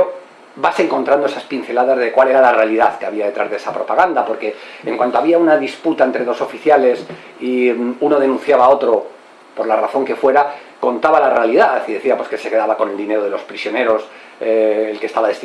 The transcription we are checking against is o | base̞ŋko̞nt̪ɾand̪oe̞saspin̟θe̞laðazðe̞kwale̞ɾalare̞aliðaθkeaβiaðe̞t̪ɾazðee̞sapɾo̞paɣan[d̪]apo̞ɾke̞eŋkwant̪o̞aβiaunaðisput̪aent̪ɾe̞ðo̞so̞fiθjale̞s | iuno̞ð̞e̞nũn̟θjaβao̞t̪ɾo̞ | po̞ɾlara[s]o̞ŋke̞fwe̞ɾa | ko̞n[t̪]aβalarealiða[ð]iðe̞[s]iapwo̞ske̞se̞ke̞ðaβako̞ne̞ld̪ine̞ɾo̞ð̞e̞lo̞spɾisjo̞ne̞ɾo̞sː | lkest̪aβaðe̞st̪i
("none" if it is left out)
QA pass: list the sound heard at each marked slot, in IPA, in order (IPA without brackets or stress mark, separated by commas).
d̪, θ, t̪, θ, θ